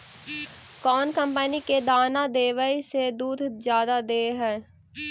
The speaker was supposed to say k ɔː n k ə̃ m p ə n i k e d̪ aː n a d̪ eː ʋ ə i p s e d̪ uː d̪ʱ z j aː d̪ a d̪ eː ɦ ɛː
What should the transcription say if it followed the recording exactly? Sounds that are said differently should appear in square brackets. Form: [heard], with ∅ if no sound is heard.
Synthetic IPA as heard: k ɔː n k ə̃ m p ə n i k e d̪ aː n a d̪ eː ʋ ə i [∅] s e d̪ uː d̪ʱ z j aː d̪ a d̪ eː ɦ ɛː